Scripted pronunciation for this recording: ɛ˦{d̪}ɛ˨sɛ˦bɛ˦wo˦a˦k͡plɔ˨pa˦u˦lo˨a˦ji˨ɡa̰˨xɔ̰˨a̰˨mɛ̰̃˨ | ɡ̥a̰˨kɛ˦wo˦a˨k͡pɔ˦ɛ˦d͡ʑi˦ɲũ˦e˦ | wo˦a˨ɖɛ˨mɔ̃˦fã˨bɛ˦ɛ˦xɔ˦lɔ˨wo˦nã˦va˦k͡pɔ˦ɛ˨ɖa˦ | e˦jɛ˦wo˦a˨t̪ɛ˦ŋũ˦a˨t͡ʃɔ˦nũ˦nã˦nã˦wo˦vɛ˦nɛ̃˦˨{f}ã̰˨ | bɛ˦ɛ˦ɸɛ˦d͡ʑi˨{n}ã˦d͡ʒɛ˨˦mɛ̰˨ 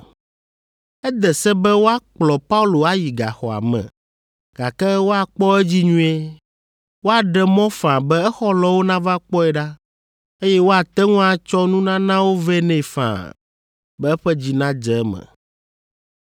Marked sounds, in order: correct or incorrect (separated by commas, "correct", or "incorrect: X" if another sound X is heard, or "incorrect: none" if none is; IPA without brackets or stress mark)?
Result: correct, correct, correct